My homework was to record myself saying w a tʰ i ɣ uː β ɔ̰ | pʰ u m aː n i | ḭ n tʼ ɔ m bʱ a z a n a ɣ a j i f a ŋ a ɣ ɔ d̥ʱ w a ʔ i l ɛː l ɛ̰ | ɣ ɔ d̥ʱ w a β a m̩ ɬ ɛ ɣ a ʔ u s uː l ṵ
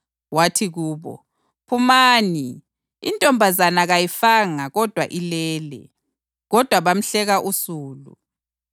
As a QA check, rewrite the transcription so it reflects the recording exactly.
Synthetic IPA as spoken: w a tʰ i ɣ uː β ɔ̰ | pʰ u m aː n i | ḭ n tʼ ɔ m bʱ a z a n a ɣ a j i f a ŋ a ɣ ɔ d̥ʱ w a ʔ i l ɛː l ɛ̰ | ɣ ɔ d̥ʱ w a β a m̩ ɬ ɛ ɣ a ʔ u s uː l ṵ